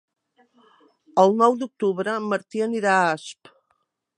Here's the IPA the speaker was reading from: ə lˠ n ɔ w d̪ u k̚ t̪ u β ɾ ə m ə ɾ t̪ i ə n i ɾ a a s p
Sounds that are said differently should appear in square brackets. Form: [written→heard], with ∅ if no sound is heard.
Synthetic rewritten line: ə lˠ n ɔ w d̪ u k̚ t̪ u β ɾ ə m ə ɾ t̪ i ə n i ɾ a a s p